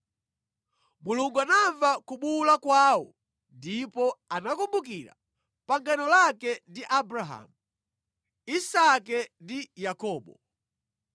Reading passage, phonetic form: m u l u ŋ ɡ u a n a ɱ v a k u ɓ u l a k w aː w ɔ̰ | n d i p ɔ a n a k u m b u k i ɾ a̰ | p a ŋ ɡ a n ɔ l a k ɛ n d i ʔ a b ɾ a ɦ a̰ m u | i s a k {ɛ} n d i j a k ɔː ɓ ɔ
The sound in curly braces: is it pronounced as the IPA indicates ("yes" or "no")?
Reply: yes